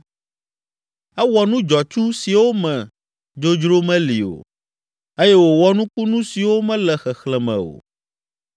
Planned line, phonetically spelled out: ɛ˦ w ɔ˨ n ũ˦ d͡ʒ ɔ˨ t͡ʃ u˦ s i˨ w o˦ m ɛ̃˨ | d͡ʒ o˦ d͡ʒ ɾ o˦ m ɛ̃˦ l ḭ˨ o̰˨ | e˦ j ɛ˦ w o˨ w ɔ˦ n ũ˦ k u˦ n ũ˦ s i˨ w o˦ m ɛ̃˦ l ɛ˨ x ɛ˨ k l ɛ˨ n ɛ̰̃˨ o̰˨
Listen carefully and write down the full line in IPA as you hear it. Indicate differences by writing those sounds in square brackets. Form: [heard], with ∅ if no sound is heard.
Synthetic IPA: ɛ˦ w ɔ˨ n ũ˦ d͡ʒ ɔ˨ t͡ʃ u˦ s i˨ w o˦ m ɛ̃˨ | d͡ʒ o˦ d͡ʒ ɾ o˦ m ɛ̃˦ l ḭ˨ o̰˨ | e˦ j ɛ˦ w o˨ w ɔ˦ n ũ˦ k u˦ n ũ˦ s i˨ w o˦ m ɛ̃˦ l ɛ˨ x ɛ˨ [x] l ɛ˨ [m] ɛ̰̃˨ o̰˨